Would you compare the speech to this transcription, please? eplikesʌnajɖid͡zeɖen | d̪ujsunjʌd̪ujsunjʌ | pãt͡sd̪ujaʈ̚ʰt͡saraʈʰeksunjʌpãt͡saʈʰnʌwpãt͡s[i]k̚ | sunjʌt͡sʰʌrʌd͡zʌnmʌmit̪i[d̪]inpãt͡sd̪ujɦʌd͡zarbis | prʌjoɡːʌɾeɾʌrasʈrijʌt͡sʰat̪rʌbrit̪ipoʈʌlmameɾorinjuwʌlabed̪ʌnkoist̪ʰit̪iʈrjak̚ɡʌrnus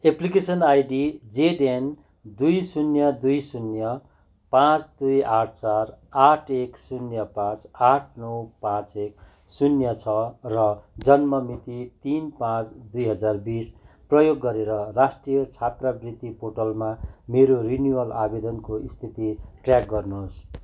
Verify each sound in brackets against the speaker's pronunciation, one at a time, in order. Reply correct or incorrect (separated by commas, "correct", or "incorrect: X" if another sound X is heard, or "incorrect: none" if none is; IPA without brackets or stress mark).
incorrect: e, incorrect: t̪